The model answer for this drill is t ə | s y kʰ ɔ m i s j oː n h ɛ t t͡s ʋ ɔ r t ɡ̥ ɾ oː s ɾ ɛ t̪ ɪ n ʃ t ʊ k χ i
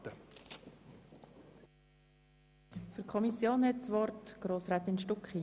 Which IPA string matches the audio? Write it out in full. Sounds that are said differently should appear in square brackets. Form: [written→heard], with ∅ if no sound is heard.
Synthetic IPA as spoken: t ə | [s→f] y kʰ ɔ m i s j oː n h ɛ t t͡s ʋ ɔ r t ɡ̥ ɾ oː s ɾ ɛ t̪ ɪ n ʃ t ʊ k χ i